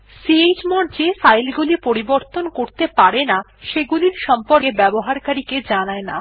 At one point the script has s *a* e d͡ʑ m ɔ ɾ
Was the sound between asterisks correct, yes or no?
no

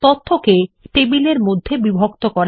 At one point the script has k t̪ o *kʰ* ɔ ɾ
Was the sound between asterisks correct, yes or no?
no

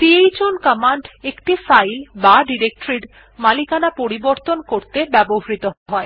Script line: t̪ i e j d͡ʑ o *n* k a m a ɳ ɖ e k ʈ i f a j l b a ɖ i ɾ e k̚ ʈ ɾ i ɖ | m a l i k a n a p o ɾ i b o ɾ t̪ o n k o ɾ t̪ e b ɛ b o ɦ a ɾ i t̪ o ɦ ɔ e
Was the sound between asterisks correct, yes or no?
yes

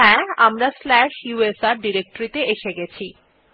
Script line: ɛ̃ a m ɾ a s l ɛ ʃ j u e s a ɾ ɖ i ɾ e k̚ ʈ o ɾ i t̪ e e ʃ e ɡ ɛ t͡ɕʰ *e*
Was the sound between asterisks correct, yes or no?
no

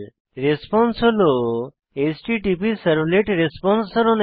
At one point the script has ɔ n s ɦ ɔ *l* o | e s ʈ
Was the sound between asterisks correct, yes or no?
yes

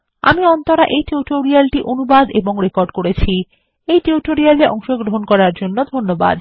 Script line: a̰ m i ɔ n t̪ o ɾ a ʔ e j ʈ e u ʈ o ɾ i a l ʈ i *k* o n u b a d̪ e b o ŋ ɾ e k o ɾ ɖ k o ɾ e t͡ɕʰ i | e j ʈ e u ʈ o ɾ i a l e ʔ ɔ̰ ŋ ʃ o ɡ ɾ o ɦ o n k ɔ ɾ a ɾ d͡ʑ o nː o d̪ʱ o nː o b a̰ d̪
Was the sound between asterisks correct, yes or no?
no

